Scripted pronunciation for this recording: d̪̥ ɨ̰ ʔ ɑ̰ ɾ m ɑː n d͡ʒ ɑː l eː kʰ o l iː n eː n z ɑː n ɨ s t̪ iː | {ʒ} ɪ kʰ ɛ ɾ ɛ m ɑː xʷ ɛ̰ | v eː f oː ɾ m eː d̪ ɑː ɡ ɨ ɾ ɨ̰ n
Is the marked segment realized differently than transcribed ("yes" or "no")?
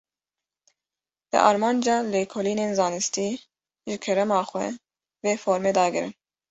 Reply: no